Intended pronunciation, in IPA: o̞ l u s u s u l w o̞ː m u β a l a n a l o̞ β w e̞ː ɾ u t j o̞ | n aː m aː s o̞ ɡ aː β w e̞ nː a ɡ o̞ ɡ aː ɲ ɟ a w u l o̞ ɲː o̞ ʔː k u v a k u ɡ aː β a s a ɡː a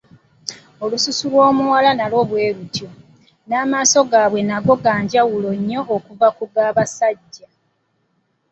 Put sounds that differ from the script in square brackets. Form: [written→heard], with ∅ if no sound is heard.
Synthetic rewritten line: o̞ l u s u s u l w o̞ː m u [β→w] a l a n a l o̞ β w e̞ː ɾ u t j o̞ | n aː m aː s o̞ ɡ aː β w e̞ [nː→n] a ɡ o̞ ɡ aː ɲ ɟ a w u l o̞ ɲː o̞ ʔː k u v a k u ɡ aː β a s a [ɡː→ɟː] a